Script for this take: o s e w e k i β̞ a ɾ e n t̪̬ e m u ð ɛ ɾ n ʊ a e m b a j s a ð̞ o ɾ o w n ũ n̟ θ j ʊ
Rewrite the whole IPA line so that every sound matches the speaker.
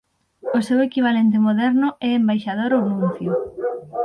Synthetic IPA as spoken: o s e w e k i β̞ a l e n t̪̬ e m o ð ɛ ɾ n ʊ ɛ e m b a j ʃ a ð̞ o ɾ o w n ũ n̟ θ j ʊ